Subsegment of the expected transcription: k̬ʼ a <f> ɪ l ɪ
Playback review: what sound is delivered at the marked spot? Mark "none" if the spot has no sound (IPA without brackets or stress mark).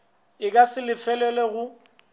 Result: s